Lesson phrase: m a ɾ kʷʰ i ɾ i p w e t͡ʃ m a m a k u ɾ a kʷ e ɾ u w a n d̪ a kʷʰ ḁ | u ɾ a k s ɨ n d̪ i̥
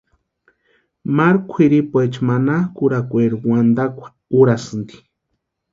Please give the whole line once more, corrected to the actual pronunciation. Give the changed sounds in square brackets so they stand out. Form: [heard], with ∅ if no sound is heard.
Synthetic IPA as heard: m a ɾ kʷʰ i ɾ i p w e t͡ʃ m a [n] a k u ɾ a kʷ e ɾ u w a n d̪ a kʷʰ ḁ | u ɾ a [∅] s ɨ n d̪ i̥